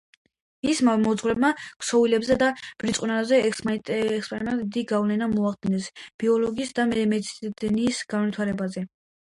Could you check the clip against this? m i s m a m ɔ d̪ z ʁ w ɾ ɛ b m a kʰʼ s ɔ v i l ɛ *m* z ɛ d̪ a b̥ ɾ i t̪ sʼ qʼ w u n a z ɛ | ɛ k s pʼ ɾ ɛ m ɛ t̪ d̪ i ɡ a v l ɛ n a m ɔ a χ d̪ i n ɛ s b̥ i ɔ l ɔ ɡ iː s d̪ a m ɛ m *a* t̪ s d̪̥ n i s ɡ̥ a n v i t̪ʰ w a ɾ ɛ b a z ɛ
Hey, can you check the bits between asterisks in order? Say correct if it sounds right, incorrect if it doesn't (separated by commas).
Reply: incorrect, incorrect